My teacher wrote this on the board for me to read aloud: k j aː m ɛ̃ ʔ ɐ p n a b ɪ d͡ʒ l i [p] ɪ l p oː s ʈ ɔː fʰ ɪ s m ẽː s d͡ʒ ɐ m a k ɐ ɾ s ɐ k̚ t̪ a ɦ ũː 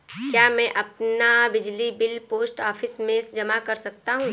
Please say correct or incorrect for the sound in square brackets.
incorrect